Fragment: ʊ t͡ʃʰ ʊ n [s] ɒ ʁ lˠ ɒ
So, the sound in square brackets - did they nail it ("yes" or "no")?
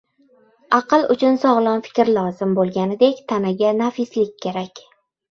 yes